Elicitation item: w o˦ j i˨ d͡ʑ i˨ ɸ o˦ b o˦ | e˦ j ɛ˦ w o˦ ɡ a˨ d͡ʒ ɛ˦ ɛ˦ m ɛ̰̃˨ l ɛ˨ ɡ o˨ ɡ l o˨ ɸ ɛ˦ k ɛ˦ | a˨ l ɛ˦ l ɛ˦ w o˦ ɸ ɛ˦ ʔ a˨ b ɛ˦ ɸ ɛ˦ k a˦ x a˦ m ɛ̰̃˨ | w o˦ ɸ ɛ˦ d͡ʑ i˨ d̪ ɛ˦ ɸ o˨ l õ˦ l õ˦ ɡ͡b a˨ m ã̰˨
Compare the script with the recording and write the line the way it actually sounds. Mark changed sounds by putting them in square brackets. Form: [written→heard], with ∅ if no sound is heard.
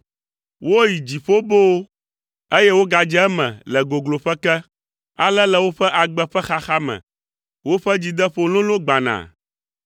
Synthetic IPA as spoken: w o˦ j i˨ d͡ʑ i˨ ɸ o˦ b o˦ | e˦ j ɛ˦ w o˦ ɡ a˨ d͡ʒ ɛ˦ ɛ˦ m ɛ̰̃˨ l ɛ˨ ɡ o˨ ɡ l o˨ ɸ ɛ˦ k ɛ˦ | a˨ l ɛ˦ l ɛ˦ w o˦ ɸ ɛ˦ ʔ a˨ [b→ɡ͡b] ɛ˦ ɸ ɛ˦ [k→x] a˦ x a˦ m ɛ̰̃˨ | w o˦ ɸ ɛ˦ d͡ʑ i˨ d̪ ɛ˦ ɸ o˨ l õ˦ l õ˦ ɡ͡b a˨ [m→n] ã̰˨